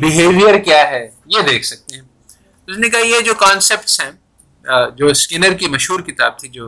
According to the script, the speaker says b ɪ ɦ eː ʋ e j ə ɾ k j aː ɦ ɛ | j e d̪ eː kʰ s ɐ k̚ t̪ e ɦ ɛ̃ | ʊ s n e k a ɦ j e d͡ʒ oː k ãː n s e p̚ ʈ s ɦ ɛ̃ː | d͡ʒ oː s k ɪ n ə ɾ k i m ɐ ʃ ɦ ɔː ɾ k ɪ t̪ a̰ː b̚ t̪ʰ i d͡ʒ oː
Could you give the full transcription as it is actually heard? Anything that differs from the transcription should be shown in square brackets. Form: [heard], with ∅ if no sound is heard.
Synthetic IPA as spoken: b ɪ ɦ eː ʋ [i] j ə ɾ k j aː ɦ ɛ | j e d̪ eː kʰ s ɐ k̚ t̪ e ɦ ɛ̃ | ʊ s n e k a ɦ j e d͡ʒ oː k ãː n s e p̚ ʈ s ɦ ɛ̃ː | d͡ʒ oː s k ɪ n ə ɾ k i m ɐ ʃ ɦ [uː] ɾ k ɪ t̪ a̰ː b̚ t̪ʰ i d͡ʒ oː